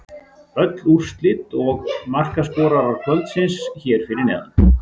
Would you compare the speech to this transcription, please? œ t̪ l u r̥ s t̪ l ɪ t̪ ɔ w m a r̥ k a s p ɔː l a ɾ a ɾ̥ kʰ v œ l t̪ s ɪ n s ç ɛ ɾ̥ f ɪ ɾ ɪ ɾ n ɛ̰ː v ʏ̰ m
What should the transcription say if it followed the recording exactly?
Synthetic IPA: œ t̪ l u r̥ s t̪ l ɪ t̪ ɔ ɣ m a r̥ k a s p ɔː ɾ a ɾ a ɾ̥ kʰ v œ l t̪ s ɪ n s ç ɛ ɾ̥ f ɪ ɾ ɪ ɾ n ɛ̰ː ð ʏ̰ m